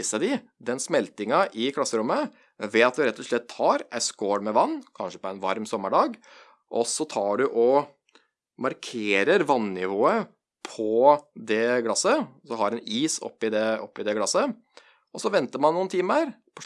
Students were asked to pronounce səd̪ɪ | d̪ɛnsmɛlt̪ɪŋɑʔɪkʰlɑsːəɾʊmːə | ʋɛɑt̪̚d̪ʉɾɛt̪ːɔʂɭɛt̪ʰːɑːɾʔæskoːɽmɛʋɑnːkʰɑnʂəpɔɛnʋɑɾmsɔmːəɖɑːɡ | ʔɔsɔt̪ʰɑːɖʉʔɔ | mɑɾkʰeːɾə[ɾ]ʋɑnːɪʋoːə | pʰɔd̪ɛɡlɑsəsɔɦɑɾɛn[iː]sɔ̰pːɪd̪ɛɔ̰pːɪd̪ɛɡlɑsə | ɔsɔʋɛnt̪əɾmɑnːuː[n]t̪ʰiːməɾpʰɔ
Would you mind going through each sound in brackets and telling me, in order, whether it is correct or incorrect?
correct, correct, correct

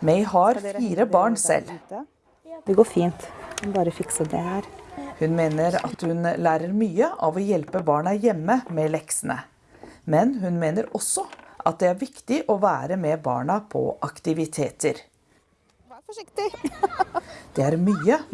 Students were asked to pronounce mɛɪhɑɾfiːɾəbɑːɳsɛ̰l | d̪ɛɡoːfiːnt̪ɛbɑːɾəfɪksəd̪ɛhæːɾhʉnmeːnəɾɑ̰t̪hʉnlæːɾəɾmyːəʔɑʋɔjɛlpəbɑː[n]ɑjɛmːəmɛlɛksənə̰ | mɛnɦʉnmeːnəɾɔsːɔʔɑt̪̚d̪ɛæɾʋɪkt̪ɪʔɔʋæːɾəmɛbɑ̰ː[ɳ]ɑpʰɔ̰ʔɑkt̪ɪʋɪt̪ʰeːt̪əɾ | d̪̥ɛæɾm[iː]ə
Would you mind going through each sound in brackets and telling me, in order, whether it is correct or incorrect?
incorrect, correct, incorrect

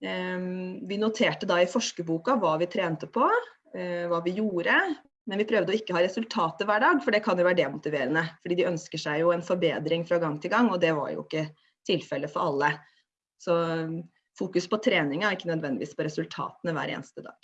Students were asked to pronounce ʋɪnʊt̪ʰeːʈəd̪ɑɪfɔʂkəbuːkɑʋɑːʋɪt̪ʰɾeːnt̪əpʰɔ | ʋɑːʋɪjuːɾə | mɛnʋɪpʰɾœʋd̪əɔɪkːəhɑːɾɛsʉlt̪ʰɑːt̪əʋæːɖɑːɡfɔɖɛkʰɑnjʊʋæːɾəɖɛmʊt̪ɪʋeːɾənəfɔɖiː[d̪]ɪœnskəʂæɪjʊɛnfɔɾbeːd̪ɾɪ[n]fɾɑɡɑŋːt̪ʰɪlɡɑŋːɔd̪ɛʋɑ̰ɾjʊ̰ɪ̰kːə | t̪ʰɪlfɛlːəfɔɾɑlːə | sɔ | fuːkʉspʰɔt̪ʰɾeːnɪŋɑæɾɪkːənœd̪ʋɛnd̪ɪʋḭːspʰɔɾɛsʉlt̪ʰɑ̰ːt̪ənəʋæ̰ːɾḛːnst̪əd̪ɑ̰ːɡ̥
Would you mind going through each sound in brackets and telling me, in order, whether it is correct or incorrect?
correct, incorrect

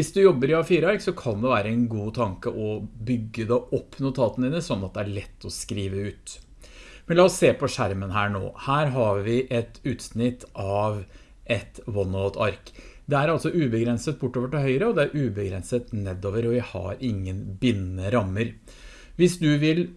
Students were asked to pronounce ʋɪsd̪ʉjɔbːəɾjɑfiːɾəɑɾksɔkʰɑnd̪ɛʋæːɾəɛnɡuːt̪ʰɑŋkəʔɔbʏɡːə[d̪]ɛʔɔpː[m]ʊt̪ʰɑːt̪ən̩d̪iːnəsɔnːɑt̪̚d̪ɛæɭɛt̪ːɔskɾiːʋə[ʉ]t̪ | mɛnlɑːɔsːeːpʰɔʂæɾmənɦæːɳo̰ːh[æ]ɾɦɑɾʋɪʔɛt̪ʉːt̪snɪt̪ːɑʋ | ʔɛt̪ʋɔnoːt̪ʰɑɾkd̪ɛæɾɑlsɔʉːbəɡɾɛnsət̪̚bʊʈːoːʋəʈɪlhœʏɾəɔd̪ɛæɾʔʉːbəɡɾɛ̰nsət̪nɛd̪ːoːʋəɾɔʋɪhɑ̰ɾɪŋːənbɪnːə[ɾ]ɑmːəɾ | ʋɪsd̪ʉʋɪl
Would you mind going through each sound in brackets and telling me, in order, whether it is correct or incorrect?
correct, incorrect, incorrect, incorrect, correct

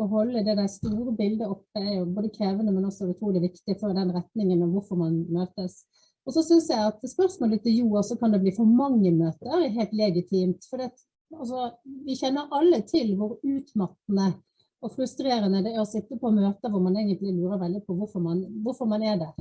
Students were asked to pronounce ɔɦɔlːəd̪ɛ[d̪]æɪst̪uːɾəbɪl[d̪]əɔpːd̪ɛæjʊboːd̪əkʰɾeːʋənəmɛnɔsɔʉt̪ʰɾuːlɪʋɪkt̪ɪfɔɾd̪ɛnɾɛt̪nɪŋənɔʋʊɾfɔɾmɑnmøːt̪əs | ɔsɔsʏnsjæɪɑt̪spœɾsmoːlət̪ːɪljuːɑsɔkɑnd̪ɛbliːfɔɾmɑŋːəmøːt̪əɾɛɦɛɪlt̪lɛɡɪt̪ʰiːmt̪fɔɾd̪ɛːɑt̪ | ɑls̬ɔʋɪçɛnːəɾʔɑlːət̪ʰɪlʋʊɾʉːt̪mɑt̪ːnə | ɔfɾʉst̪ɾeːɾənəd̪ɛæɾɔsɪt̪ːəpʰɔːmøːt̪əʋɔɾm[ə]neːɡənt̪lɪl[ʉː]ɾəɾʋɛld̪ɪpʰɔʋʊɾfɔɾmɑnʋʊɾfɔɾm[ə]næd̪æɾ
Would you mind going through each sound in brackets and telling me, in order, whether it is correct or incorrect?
correct, correct, incorrect, correct, incorrect

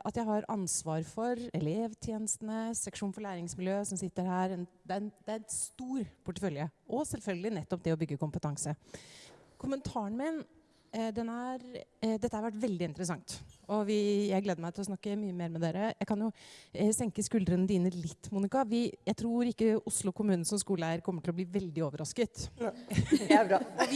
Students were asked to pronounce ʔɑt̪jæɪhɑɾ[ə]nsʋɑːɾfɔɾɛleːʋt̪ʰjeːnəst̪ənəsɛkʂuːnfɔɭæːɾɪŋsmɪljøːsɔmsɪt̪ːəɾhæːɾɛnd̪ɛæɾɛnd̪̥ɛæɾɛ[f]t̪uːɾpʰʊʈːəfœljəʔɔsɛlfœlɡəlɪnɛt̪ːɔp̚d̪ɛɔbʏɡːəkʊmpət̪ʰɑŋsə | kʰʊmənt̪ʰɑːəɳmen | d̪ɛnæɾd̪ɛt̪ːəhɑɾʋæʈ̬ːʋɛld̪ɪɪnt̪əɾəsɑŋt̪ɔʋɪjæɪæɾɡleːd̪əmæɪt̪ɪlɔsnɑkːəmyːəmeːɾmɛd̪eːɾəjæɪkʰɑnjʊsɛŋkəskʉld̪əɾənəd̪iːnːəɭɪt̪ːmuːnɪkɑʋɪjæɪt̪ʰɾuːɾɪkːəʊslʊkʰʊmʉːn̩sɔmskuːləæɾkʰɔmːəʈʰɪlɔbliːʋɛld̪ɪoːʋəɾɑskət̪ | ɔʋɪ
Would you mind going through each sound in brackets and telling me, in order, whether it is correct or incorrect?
incorrect, incorrect

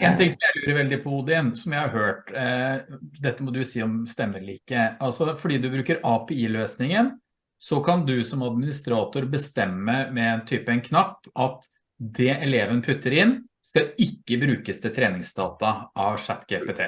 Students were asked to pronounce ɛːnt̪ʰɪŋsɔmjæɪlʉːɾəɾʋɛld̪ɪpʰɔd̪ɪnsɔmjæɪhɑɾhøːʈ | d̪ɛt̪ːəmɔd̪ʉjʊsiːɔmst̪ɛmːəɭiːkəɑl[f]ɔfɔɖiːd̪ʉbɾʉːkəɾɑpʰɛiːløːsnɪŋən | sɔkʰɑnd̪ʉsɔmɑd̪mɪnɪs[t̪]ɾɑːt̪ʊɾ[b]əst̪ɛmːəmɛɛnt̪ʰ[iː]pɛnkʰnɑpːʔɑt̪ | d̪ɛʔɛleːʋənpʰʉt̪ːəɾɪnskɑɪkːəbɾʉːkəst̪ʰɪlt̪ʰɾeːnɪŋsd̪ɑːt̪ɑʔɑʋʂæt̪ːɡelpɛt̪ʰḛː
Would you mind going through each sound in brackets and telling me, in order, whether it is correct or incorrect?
incorrect, correct, correct, incorrect

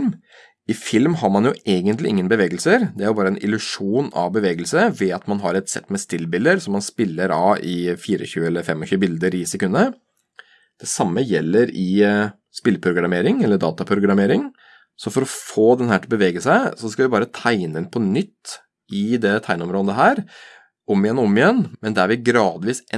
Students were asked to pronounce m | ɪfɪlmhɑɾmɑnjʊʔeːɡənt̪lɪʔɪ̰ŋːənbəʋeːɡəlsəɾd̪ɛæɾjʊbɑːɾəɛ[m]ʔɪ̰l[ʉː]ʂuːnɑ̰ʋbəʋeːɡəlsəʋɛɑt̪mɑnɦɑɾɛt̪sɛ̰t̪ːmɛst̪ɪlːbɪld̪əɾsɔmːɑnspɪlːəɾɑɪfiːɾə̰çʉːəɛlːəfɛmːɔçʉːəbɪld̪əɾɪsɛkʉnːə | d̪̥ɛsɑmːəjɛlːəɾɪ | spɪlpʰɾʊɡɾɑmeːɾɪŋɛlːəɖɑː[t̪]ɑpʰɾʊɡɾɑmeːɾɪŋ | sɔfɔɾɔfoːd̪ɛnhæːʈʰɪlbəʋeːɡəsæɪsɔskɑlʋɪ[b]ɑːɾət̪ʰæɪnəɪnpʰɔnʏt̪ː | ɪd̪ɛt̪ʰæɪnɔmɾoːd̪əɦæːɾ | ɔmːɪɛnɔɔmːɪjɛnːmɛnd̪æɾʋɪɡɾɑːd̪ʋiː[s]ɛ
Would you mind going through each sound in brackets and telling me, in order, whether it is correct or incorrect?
incorrect, incorrect, correct, correct, correct

